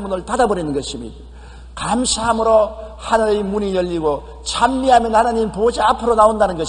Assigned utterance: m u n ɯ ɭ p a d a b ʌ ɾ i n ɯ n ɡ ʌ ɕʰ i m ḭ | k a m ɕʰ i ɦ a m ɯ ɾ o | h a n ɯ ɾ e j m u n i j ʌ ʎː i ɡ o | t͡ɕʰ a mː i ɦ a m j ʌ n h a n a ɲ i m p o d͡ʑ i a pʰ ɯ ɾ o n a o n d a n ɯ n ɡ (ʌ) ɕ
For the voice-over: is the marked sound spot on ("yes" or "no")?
yes